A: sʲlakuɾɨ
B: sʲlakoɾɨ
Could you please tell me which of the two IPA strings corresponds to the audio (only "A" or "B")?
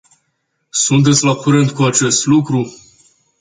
A